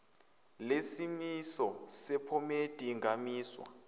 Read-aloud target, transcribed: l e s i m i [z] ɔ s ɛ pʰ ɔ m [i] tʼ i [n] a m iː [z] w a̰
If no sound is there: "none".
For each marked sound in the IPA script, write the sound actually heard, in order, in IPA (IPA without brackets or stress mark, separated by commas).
s, e, ŋ, s